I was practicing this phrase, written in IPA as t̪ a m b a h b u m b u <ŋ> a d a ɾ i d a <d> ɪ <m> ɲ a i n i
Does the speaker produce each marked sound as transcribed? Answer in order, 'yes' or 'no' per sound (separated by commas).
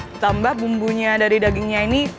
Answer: no, no, no